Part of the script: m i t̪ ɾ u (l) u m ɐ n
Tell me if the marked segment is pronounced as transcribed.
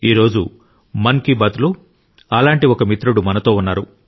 no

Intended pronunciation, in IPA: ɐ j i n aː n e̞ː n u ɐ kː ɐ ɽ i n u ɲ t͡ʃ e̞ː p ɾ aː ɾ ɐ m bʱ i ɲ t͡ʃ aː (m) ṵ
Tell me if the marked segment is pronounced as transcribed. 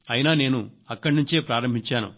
no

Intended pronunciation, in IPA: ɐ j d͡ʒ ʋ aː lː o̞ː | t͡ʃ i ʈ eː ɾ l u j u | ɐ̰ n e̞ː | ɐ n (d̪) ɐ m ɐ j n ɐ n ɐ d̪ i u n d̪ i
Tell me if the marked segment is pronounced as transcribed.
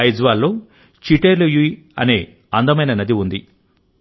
yes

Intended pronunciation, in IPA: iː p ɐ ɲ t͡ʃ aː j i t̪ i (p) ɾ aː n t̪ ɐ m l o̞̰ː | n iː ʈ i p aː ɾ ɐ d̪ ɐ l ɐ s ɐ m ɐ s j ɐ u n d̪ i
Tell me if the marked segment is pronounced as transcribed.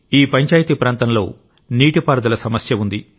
yes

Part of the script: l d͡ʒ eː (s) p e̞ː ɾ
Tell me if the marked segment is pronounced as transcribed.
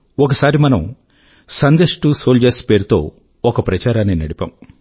yes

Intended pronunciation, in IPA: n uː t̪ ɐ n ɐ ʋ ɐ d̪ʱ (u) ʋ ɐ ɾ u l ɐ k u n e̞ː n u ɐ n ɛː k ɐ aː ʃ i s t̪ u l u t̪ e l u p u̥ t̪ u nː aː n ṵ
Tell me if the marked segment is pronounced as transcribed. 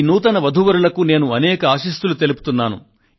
yes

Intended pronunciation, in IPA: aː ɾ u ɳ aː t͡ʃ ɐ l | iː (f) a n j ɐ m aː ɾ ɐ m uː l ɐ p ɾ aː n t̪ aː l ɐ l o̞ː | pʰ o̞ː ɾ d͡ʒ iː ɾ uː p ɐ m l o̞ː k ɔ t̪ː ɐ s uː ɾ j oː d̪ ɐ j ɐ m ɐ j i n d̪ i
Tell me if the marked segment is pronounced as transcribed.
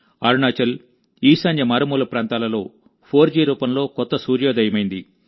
no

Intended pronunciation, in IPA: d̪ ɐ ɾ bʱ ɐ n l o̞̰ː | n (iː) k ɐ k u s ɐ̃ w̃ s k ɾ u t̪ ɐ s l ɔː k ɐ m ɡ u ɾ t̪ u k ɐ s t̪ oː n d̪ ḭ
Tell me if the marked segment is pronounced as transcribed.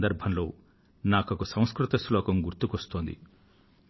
no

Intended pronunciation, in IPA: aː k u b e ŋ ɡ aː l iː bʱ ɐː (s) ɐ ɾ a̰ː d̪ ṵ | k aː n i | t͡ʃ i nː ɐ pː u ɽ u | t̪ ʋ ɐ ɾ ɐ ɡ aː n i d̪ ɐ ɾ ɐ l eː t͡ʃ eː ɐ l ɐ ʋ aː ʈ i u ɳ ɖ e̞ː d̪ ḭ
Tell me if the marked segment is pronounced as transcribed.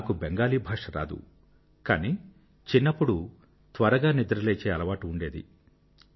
no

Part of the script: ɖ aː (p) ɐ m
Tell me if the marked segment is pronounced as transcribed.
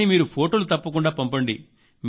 yes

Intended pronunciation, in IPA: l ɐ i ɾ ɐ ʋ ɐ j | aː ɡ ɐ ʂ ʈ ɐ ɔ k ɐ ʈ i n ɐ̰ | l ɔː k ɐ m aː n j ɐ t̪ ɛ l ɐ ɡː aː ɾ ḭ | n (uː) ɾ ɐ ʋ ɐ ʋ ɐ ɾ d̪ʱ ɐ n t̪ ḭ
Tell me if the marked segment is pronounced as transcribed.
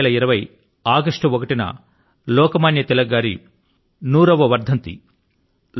yes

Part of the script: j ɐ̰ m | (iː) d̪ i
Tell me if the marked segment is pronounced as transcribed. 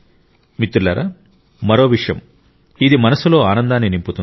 no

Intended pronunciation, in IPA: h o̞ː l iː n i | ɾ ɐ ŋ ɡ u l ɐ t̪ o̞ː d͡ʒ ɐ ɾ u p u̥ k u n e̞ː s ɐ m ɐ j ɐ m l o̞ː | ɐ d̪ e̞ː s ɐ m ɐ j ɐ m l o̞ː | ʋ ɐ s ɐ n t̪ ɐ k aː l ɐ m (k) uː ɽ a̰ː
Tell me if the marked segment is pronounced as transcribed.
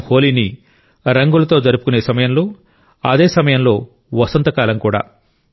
yes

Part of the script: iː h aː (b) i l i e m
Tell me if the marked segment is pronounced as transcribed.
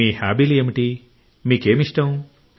yes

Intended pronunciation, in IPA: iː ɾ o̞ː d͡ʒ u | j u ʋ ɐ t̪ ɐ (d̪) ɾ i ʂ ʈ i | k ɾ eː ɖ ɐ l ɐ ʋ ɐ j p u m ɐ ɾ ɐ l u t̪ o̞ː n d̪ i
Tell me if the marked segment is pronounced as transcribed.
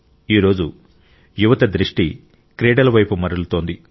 yes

